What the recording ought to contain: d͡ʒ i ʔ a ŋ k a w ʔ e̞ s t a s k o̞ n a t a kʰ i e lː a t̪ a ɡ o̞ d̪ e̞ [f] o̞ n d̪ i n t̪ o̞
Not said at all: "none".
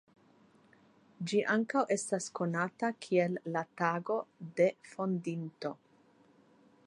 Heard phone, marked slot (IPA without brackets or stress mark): f